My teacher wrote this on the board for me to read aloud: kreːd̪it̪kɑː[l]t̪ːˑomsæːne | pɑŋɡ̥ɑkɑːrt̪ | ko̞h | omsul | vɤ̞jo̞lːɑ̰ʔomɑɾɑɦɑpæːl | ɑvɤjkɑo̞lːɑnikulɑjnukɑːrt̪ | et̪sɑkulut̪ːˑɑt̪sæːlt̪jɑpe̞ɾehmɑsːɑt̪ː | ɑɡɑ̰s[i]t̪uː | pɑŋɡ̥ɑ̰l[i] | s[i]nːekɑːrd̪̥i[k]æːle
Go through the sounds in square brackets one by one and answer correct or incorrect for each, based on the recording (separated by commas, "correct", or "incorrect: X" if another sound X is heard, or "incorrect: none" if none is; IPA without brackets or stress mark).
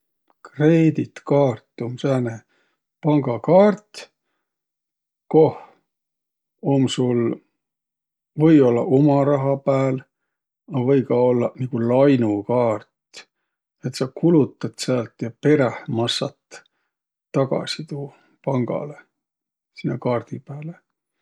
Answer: incorrect: r, correct, incorrect: e, correct, incorrect: p